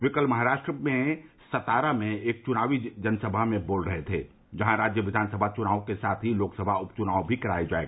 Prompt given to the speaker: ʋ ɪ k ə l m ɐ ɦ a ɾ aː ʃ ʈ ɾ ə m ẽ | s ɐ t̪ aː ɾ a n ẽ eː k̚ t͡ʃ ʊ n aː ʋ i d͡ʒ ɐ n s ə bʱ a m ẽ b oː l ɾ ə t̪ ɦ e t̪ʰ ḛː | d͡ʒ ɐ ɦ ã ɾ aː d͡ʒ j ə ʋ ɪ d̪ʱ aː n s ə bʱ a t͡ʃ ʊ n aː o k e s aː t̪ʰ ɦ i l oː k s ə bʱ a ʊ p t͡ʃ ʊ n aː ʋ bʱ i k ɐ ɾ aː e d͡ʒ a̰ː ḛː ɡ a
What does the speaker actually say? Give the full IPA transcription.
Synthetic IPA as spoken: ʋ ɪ k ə l m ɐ ɦ a ɾ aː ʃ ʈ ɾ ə m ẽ | s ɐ t̪ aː ɾ a m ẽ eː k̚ t͡ʃ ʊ n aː ʋ i d͡ʒ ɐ n s ə bʱ a m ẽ b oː l ɾ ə ɦ e t̪ʰ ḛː | d͡ʒ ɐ ɦ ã ɾ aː d͡ʒ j ə ʋ ɪ d̪ʱ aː n s ə bʱ a t͡ʃ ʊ n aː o k e s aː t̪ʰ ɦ i l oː k s ə bʱ a ʊ p t͡ʃ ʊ n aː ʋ bʱ i k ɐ ɾ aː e d͡ʒ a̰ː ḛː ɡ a

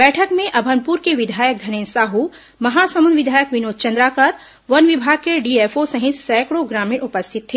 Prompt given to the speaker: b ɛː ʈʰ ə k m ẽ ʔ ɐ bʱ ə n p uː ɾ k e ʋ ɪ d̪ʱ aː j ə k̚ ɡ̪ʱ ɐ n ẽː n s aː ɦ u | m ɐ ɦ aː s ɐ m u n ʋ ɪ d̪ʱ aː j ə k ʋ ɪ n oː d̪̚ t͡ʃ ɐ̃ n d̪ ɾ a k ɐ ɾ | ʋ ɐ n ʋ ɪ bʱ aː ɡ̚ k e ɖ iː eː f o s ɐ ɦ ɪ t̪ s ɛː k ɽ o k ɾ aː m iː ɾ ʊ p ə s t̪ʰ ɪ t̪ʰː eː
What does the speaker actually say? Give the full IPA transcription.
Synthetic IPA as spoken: b ɛː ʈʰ ə k m ẽ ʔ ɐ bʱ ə n p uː ɾ k e ʋ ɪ d̪ʱ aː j ə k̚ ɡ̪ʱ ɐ n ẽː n s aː ɦ u | m ɐ ɦ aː s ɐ m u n ʋ ɪ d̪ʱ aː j ə k ʋ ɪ n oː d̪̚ t͡ʃ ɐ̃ n d̪ ɾ a k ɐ ɾ | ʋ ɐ n ʋ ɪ bʱ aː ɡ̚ k e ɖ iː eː f o s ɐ ɦ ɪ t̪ s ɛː k ɽ o ɡ ɾ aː m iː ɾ ʊ p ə s t̪ʰ ɪ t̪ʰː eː

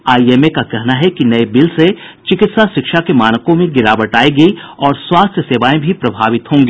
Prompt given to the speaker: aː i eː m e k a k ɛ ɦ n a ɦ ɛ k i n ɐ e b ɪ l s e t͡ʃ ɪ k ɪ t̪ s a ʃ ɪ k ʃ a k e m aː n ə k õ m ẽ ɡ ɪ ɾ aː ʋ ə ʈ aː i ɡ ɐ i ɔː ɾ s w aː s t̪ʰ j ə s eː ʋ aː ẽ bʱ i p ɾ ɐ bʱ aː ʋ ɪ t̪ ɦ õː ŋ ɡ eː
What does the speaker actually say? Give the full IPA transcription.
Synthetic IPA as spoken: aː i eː m e k a k ɛ ɦ n a ɦ ɛ k i n ɐ e b ɪ l s e t͡ʃ ɪ k ɪ t̪ s a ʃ ɪ k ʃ a k e m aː n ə k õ m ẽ ɡ ɪ ɾ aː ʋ ə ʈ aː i ɡ ɐ i ɔː ɾ s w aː s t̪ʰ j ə s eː ʋ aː ẽ bʱ i p ɾ ɐ bʱ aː ʋ ɪ t̪ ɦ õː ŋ ɡ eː

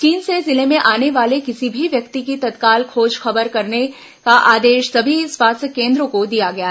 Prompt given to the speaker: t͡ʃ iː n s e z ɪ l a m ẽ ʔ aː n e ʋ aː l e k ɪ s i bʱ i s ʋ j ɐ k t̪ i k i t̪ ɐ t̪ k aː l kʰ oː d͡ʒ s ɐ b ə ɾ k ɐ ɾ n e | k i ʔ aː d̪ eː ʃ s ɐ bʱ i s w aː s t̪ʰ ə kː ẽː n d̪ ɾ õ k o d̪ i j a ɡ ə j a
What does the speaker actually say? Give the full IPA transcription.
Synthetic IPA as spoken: t͡ʃ iː n s e z ɪ l e m ẽ ʔ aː n e ʋ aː l e k ɪ s i bʱ i ʋ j ɐ k t̪ i k i t̪ ɐ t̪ k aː l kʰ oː d͡ʒ x ɐ b ə ɾ k ɐ ɾ n e | k a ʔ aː d̪ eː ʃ s ɐ bʱ i s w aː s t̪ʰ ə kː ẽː n d̪ ɾ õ k o d̪ i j a ɡ ɐ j a

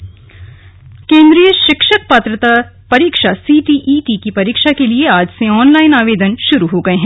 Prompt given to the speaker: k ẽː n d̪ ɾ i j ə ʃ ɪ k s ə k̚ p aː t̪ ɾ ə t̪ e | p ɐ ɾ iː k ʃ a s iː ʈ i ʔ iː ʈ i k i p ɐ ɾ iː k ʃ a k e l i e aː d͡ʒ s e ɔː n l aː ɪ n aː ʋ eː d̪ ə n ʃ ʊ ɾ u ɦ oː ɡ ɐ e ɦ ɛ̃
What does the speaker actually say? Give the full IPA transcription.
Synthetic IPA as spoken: k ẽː n d̪ ɾ i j ə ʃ ɪ k ʃ ə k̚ p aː t̪ ɾ ə t̪ a | p ɐ ɾ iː k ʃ a s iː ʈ i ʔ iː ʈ i k i p ɐ ɾ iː k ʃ a k e l i e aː d͡ʒ s e ɔː n l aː ɪ n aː ʋ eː d̪ ə n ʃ ʊ ɾ u ɦ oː ɡ ɐ e ɦ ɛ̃

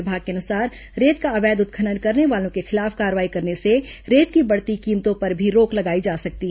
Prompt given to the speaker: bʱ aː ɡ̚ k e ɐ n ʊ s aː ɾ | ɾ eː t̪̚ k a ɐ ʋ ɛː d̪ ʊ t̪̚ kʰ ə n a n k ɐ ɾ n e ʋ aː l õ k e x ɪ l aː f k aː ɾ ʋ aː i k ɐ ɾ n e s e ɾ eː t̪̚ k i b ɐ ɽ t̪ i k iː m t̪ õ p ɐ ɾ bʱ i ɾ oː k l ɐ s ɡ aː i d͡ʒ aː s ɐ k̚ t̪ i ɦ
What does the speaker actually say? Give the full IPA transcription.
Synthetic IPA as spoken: bʱ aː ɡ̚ k e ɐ n ʊ s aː ɾ | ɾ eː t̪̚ k a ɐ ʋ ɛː d̪ ʊ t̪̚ kʰ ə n ə n k ɐ ɾ n e ʋ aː l õ k e x ɪ l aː f k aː ɾ ʋ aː i k ɐ ɾ n e s e ɾ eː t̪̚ k i b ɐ ɽ t̪ i k iː m t̪ õ p ɐ ɾ bʱ i ɾ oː k l ɐ ɡ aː i d͡ʒ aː s ɐ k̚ t̪ i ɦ

